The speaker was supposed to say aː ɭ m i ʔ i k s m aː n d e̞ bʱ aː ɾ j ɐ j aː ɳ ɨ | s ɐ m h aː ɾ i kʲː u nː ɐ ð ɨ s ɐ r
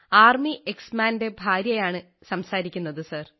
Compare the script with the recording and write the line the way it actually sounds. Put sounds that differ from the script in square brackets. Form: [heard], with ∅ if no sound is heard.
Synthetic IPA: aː [r] m i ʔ [e] k s m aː n d e̞ bʱ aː ɾ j ɐ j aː ɳ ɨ | s ɐ m [s] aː ɾ i kʲː u nː ɐ ð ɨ s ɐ r